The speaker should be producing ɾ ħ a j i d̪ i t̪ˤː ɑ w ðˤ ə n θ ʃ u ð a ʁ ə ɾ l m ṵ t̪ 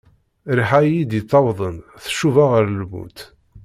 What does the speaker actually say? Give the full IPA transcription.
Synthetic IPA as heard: ɾ ħ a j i d̪ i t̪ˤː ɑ w ðˤ ə n θ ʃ u v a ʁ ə ɾ l m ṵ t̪